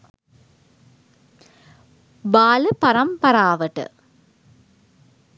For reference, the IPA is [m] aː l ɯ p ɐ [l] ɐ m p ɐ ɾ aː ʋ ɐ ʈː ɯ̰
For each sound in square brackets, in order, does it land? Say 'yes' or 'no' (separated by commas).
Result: no, no